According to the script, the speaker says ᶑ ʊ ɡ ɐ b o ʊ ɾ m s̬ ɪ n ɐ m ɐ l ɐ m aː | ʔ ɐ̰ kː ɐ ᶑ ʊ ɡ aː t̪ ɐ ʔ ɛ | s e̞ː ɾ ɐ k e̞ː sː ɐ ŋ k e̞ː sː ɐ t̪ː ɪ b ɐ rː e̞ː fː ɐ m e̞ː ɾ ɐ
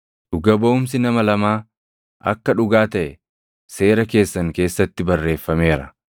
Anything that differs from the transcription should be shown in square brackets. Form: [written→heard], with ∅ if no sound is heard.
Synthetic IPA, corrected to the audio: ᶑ ʊ ɡ ɐ b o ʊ [ɾ→∅] m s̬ ɪ n ɐ m ɐ l ɐ m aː | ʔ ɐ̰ kː ɐ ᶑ ʊ ɡ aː t̪ ɐ ʔ ɛ | s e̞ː ɾ ɐ k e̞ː sː ɐ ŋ k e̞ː sː ɐ t̪ː ɪ b ɐ rː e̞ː fː ɐ m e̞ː ɾ ɐ

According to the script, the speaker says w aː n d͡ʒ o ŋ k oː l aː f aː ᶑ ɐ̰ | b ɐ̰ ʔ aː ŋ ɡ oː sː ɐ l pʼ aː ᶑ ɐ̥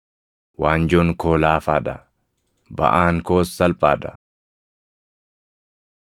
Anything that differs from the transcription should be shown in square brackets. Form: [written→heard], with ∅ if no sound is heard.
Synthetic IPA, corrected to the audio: w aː n d͡ʒ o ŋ k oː l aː f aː ᶑ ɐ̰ | b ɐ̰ ʔ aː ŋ [ɡ→k] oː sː ɐ l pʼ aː ᶑ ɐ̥

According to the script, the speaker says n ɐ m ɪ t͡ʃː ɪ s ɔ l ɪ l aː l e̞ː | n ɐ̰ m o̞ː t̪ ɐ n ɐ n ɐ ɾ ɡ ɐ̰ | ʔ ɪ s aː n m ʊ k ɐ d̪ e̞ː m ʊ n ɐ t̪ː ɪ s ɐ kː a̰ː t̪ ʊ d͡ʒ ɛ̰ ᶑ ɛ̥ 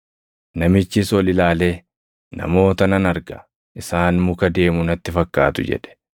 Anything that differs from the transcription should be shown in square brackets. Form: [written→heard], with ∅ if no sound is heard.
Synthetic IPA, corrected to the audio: n ɐ m ɪ t͡ʃː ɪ s ɔ l ɪ l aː l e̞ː | n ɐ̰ m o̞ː t̪ ɐ n ɐ n ɐ ɾ ɡ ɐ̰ | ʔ ɪ s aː n m ʊ k ɐ d̪ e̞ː m ʊ n ɐ t̪ː ɪ [s→f] ɐ kː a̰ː t̪ ʊ d͡ʒ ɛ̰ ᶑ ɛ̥

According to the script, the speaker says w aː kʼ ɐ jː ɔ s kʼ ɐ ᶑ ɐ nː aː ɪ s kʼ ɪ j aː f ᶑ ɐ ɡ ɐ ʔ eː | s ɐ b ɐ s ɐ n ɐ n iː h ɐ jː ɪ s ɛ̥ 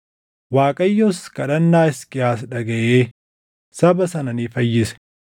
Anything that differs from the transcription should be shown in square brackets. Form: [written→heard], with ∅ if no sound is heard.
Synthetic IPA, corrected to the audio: w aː kʼ ɐ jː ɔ s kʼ ɐ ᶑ ɐ nː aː ɪ s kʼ ɪ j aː [f→s] ᶑ ɐ ɡ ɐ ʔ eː | s ɐ b ɐ s ɐ n ɐ n iː [h→f] ɐ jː ɪ s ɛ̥

